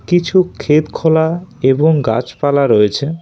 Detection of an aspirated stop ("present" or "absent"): present